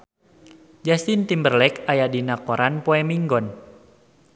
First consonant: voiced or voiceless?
voiced